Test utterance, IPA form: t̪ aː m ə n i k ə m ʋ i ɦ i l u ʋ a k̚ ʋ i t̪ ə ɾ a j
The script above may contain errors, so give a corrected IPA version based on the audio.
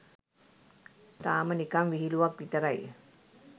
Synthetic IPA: t̪ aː m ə n i k a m ʋ i ɦ i l u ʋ a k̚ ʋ i t̪ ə ɾ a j